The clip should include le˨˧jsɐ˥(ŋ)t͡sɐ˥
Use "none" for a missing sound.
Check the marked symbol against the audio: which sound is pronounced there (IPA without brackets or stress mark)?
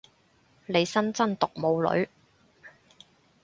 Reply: n